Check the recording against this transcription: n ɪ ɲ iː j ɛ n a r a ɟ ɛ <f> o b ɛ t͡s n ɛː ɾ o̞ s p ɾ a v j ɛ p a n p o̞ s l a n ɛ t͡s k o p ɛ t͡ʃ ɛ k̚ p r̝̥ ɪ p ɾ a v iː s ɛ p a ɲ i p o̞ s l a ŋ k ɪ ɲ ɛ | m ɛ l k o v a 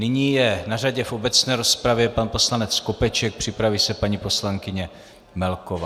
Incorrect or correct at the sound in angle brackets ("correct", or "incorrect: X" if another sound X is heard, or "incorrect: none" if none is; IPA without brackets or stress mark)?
correct